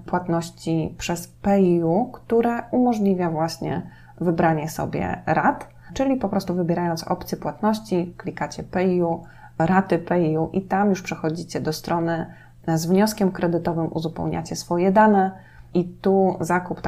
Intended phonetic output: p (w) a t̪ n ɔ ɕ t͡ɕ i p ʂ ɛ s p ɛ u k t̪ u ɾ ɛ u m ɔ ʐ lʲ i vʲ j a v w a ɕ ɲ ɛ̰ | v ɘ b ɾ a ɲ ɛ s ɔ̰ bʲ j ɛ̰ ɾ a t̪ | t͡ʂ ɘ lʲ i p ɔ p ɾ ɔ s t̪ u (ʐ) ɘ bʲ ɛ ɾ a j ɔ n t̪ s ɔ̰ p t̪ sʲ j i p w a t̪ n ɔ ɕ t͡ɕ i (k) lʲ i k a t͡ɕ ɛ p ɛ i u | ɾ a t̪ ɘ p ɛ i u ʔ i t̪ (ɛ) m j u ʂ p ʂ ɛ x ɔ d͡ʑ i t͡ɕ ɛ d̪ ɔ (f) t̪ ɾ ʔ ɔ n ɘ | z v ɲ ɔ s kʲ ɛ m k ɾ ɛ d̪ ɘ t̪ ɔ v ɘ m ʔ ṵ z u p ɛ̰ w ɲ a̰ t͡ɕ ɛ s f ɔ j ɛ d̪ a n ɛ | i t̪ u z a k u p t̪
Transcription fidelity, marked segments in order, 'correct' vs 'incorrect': correct, incorrect, correct, incorrect, incorrect

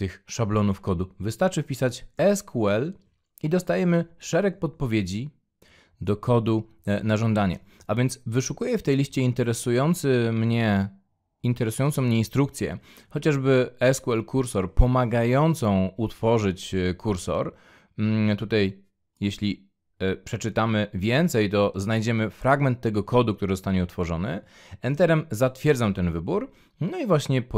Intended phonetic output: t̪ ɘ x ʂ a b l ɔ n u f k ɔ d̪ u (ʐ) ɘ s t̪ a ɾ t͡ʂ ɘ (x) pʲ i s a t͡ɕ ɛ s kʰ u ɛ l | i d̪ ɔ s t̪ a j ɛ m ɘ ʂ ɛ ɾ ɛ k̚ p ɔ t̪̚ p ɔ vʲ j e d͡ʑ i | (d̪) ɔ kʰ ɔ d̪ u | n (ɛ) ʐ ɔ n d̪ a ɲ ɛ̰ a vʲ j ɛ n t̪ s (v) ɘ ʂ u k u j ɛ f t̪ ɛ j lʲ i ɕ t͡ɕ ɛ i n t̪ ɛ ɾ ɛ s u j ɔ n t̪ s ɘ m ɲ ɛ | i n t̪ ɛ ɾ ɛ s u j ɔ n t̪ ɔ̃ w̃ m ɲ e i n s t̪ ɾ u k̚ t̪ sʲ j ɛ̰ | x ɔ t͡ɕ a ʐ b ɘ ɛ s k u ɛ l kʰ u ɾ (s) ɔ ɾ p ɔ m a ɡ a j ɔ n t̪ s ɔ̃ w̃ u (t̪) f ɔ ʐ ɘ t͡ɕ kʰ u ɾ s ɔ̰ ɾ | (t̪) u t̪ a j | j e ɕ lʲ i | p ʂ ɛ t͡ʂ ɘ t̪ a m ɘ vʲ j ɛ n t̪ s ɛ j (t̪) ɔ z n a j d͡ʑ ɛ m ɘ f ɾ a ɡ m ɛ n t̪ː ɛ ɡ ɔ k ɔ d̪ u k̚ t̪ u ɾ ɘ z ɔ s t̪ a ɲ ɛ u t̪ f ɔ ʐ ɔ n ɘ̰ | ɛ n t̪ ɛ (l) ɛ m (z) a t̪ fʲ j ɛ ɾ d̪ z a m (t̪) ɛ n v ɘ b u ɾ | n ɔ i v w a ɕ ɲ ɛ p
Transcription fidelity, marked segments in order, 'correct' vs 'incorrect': incorrect, incorrect, correct, incorrect, correct, correct, correct, correct, correct, incorrect, correct, correct

